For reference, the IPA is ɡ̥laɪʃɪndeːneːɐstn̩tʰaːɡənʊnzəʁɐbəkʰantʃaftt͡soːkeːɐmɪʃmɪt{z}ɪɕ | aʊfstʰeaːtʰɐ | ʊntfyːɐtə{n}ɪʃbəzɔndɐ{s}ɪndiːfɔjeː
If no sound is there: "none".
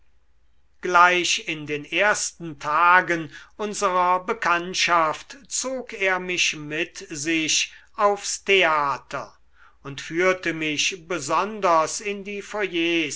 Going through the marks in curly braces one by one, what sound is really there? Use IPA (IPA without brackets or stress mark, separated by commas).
z, m, s